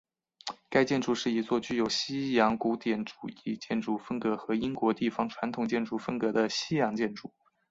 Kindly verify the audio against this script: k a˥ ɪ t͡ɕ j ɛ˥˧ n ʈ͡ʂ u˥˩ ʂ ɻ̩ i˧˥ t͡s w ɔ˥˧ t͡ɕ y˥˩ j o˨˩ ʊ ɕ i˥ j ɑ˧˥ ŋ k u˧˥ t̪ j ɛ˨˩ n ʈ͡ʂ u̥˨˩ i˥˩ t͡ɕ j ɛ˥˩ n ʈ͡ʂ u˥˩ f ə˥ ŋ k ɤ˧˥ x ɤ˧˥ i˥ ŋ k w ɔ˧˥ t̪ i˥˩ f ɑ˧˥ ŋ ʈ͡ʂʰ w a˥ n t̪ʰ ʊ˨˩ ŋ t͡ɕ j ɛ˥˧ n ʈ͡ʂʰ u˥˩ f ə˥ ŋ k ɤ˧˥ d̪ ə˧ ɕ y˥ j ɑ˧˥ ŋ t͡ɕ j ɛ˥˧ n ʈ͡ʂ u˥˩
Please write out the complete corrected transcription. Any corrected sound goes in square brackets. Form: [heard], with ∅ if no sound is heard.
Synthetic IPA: k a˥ ɪ t͡ɕ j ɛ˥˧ n ʈ͡ʂ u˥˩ ʂ ɻ̩ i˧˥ t͡s w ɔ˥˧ t͡ɕ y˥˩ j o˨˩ ʊ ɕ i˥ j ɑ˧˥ ŋ k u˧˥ t̪ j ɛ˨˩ n ʈ͡ʂ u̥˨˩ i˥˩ t͡ɕ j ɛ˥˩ n ʈ͡ʂ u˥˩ f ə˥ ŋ k ɤ˧˥ x ɤ˧˥ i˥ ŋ k w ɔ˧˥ t̪ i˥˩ f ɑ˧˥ ŋ ʈ͡ʂʰ w [a˧˥] n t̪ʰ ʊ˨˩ ŋ t͡ɕ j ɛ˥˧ n [ʈ͡ʂ] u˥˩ f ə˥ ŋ k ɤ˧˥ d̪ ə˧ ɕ [i˥] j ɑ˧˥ ŋ t͡ɕ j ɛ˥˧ n ʈ͡ʂ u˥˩